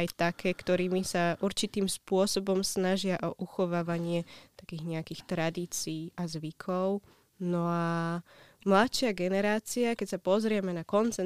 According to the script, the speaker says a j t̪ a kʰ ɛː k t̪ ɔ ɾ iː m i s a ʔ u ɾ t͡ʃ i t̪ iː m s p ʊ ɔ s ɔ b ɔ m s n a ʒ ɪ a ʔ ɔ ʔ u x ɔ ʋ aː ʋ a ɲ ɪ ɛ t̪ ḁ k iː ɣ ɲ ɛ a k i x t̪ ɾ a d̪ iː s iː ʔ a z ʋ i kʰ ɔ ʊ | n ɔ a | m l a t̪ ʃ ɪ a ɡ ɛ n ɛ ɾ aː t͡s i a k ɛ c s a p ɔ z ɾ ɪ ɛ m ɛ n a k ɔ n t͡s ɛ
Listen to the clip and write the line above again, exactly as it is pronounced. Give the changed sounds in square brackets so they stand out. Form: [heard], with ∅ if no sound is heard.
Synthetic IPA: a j t̪ a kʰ ɛː k t̪ ɔ ɾ iː m i s a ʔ u ɾ t͡ʃ i t̪ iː m s p ʊ ɔ s ɔ b ɔ m s n a ʒ ɪ a ʔ ɔ ʔ u x ɔ ʋ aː ʋ a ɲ ɪ ɛ t̪ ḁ k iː ɣ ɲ ɛ a k i x t̪ ɾ a d̪ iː [t͡s] iː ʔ a z ʋ i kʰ ɔ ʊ | n ɔ a | m l a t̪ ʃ ɪ a ɡ ɛ n ɛ ɾ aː t͡s i a k ɛ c s a p ɔ z ɾ ɪ ɛ m ɛ n a k ɔ n t͡s ɛ